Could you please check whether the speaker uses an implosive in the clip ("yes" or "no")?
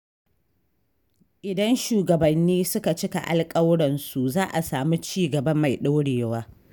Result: yes